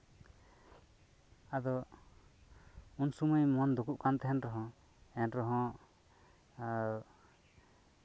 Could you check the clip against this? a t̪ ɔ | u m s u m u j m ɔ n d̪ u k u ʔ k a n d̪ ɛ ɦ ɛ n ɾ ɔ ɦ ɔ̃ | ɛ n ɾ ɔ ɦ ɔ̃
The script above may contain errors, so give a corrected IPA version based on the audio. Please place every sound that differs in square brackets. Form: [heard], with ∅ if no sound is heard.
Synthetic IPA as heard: a [d̪] ɔ | u [n] s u m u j m ɔ n d̪ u k u ʔ k a n [t̪] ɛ ɦ ɛ n ɾ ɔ ɦ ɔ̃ | ɛ n ɾ ɔ ɦ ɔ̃